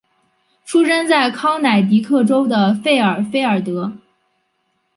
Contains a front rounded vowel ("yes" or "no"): no